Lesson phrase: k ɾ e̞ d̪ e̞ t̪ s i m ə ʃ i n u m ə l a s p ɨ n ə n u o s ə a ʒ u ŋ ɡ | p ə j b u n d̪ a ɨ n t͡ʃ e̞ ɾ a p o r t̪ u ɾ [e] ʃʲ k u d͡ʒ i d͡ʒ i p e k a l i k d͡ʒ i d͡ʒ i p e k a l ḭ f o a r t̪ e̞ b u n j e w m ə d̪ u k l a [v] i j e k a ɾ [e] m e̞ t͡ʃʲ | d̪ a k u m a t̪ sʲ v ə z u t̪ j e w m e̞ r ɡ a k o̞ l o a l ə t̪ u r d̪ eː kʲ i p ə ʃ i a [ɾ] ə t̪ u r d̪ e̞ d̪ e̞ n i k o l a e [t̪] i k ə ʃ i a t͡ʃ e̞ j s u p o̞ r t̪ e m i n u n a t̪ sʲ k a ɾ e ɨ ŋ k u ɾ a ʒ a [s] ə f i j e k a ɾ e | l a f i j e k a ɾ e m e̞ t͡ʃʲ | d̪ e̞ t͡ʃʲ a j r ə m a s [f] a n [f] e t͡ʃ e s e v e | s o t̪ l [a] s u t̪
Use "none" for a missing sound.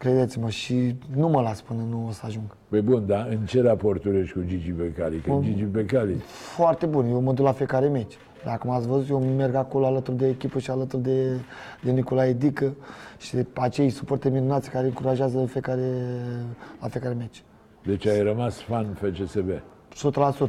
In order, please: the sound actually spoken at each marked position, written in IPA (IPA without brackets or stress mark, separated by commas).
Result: e, f, e, l, d̪, z, f, f, a